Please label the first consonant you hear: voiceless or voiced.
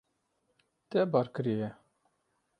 voiceless